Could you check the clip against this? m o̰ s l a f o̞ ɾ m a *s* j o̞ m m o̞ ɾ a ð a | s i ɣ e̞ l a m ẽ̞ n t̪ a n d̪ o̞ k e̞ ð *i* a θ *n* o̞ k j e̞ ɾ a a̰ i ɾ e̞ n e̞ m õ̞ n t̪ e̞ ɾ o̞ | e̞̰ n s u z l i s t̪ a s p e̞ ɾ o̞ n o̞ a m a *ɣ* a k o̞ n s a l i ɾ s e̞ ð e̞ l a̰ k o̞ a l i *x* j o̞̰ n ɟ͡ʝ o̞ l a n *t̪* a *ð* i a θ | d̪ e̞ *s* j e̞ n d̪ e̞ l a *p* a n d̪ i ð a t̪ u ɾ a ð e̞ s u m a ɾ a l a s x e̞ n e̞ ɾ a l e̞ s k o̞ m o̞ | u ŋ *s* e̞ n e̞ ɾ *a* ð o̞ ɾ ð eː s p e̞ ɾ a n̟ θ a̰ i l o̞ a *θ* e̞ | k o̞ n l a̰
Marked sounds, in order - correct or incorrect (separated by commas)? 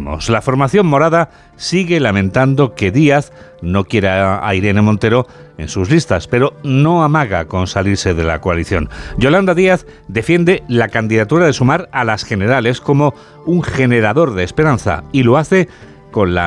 incorrect, correct, correct, correct, incorrect, incorrect, correct, incorrect, incorrect, incorrect, correct, correct